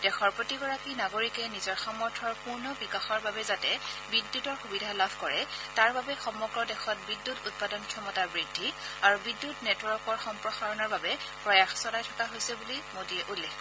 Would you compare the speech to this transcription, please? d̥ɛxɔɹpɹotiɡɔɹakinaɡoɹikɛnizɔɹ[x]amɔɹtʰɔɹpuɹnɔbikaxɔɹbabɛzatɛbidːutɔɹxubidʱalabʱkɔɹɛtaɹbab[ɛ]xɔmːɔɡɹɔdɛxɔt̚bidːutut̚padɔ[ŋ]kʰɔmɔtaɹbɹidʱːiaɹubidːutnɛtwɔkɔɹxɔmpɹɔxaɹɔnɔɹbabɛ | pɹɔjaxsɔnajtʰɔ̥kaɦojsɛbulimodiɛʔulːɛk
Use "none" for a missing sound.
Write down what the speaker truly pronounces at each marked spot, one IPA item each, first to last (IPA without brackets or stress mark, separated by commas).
x, ɛ, n